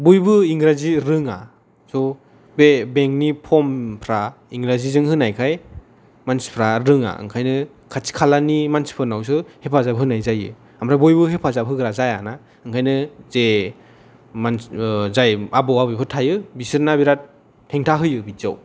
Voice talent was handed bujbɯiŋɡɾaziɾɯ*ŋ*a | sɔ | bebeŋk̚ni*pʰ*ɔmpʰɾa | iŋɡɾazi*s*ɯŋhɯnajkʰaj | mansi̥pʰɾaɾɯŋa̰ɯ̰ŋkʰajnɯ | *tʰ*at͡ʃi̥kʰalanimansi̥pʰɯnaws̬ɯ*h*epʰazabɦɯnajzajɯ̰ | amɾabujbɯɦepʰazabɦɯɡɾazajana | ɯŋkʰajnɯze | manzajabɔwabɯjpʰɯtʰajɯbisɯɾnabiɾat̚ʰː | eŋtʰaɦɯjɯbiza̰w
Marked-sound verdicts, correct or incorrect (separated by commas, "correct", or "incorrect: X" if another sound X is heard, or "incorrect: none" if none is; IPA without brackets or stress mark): correct, correct, incorrect: z, incorrect: kʰ, correct